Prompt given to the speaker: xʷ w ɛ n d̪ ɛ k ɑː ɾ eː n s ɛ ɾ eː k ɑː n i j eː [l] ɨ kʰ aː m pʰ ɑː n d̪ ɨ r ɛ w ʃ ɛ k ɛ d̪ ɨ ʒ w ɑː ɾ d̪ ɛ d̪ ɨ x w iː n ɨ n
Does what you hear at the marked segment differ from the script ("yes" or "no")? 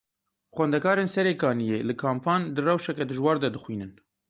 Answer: no